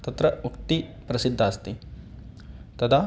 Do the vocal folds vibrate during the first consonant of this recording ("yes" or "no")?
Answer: no